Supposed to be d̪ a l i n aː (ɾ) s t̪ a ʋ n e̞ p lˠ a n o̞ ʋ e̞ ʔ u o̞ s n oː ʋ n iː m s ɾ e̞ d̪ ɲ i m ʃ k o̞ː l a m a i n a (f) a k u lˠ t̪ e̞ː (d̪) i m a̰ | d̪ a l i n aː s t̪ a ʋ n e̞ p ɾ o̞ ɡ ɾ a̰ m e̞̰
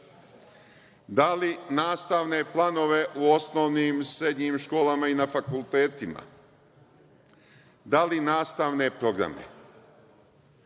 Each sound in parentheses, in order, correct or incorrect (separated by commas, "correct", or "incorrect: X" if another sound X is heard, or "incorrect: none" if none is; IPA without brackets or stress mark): incorrect: none, correct, incorrect: t̪